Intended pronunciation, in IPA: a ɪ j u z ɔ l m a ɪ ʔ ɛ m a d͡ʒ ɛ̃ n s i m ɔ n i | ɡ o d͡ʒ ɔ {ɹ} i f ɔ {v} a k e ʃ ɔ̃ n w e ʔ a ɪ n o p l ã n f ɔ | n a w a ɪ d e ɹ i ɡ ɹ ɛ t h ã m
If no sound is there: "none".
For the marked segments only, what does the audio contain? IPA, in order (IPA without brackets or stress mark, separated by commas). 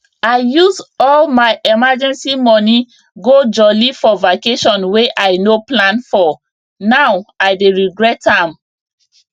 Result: l, v